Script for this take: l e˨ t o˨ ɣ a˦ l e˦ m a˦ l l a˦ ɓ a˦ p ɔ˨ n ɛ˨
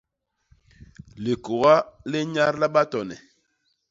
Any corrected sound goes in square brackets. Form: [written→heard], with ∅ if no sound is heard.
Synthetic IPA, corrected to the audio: l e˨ [t→k] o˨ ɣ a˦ l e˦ [m→ɲ] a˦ [l→ɾ] l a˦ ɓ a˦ [p→t] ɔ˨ n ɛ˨